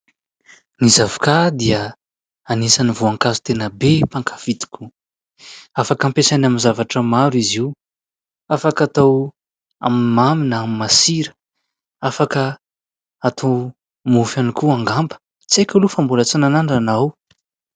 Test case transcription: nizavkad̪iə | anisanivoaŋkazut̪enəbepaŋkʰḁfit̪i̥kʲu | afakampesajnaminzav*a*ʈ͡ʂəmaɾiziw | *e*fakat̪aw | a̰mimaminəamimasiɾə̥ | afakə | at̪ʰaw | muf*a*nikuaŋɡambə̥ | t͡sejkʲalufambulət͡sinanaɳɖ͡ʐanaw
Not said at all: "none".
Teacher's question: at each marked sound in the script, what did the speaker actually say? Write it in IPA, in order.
a, a, a

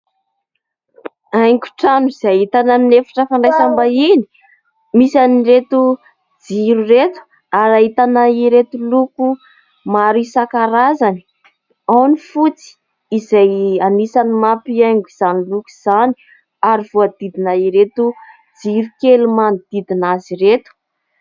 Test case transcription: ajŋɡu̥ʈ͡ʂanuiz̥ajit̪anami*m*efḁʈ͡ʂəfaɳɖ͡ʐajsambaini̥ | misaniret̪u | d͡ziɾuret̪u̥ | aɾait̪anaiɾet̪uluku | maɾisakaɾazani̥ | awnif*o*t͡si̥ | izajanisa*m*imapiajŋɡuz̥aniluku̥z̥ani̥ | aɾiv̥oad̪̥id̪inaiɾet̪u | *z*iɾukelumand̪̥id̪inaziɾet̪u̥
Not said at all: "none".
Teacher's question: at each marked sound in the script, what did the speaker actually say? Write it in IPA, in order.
n, u, n, d͡z

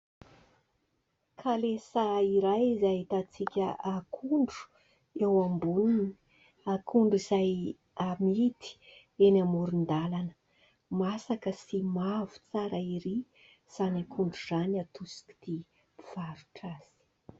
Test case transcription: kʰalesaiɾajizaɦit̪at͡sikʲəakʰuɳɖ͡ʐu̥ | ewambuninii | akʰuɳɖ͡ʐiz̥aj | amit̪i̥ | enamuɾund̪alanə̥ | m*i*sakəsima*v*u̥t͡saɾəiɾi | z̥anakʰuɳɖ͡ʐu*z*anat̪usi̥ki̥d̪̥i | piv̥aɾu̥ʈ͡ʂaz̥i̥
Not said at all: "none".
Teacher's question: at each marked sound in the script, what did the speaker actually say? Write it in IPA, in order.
a, v, z

